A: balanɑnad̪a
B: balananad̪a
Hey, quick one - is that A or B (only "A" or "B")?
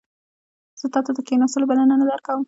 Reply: B